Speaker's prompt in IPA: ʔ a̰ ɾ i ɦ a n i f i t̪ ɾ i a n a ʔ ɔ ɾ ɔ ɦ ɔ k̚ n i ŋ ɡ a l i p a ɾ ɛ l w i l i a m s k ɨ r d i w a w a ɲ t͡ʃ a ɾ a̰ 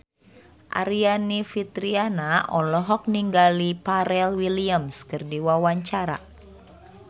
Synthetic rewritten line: ʔ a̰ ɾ i a n i f i t̪ ɾ i a n a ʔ ɔ l ɔ ɦ ɔ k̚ n i ŋ ɡ a l i p a ɾ ɛ l w i l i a m s k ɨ r d i w a w a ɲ t͡ʃ a ɾ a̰